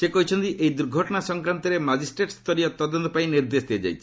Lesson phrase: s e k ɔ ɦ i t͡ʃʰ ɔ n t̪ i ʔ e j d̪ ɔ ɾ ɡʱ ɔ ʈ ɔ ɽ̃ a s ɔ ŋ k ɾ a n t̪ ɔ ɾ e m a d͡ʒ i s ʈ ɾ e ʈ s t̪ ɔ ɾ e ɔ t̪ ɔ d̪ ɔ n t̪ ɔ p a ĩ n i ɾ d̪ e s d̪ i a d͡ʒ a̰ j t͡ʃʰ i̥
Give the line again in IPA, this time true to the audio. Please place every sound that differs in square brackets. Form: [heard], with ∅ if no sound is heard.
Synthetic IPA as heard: s e k ɔ ɦ i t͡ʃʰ ɔ n t̪ i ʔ e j d̪ [u] ɾ ɡʱ ɔ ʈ ɔ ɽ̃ a s ɔ ŋ k ɾ a n t̪ ɔ ɾ e m a d͡ʒ i s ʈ ɾ e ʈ s t̪ ɔ ɾ [i] ɔ t̪ ɔ d̪ ɔ n t̪ ɔ p a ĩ n i ɾ d̪ e s d̪ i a d͡ʒ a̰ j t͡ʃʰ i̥